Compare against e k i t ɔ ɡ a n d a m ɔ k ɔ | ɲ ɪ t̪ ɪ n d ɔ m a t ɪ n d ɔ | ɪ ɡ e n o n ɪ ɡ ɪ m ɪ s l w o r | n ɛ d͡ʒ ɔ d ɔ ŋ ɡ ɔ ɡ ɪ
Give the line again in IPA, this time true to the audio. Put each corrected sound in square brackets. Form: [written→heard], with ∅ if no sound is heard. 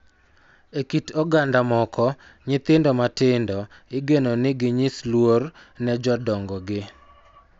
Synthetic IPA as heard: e k i t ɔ ɡ a n d a m ɔ k ɔ | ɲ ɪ t̪ ɪ n d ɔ m a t ɪ n d ɔ | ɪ ɡ e n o n ɪ ɡ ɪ [m→ɲ] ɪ s l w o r | n ɛ d͡ʒ ɔ d ɔ ŋ ɡ ɔ ɡ ɪ